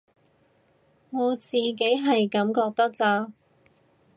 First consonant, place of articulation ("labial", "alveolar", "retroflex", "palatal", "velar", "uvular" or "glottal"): velar